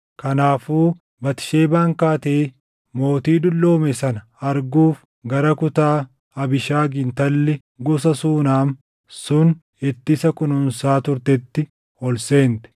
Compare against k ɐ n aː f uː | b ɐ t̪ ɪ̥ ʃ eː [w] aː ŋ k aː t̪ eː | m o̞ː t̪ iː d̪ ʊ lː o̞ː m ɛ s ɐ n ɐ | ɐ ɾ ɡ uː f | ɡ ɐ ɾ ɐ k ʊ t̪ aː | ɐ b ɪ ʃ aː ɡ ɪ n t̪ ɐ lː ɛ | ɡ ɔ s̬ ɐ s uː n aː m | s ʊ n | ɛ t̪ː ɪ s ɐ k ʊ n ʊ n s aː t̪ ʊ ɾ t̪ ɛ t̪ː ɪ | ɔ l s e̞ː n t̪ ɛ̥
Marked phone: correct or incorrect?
incorrect